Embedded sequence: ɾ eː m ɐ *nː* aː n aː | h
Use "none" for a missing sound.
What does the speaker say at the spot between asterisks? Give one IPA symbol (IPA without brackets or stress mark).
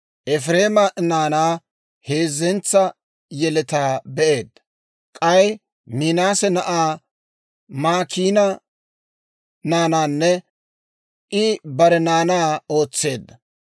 n